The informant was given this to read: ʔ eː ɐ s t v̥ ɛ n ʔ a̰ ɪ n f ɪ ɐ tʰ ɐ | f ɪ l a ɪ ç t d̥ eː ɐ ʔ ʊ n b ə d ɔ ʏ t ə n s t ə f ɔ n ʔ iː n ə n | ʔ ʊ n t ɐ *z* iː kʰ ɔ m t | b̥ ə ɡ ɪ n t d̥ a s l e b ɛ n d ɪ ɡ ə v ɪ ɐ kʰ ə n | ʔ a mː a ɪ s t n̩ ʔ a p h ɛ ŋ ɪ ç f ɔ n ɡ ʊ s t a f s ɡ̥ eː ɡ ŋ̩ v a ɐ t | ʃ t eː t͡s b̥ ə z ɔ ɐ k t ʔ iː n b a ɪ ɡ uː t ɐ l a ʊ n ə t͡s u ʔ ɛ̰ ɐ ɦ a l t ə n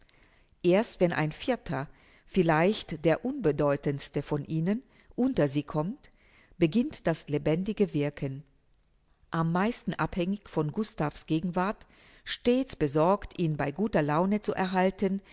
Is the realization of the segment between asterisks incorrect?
no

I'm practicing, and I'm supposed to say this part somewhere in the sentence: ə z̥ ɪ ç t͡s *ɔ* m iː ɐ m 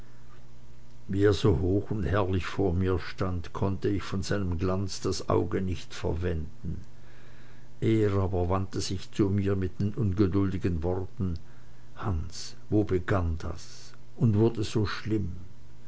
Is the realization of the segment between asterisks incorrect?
yes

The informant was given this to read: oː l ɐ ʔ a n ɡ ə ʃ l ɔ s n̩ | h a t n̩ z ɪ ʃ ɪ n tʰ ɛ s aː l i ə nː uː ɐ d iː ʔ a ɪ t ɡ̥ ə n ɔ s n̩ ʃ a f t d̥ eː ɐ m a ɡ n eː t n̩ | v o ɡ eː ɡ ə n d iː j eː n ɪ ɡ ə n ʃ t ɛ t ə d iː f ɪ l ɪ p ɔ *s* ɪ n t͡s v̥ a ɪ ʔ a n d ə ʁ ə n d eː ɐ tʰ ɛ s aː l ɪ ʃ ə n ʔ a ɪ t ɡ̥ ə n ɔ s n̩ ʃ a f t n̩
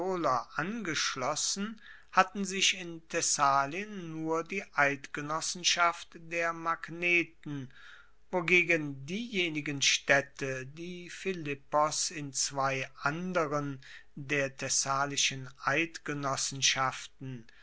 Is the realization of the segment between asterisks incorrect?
no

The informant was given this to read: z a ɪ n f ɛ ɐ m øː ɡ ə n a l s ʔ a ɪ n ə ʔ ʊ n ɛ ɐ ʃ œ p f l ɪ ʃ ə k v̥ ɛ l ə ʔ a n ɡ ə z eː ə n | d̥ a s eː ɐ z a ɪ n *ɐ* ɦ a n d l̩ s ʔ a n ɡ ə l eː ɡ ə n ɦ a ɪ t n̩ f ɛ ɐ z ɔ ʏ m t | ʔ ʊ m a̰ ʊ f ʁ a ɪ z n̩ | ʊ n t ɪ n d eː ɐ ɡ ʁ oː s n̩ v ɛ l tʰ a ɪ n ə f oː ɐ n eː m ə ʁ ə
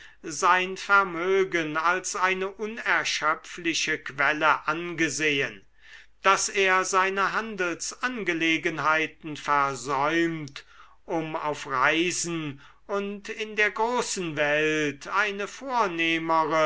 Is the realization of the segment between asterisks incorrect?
yes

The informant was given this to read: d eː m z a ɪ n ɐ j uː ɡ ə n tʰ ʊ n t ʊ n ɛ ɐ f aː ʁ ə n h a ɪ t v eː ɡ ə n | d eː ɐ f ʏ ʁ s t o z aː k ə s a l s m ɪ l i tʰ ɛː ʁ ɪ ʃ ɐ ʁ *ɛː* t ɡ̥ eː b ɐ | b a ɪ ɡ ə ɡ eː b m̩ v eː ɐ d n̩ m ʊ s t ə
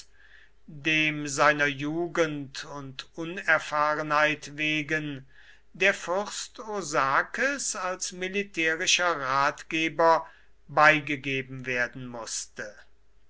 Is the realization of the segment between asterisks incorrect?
yes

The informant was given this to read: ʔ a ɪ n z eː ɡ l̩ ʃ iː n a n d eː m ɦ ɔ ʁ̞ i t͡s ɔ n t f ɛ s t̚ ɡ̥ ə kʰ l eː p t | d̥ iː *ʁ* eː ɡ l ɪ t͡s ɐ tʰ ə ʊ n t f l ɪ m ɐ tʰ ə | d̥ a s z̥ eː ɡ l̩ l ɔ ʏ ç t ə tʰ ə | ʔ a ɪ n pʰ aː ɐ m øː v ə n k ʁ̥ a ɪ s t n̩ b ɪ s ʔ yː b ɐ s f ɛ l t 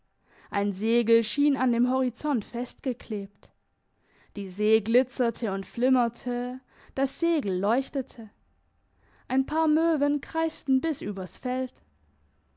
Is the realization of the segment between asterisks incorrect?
yes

